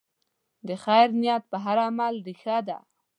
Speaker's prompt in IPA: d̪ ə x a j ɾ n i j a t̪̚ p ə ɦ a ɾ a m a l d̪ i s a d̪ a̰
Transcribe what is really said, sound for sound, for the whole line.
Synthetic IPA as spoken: d̪ ə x a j ɾ n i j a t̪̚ p ə ɦ a ɾ a m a l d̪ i x a d̪ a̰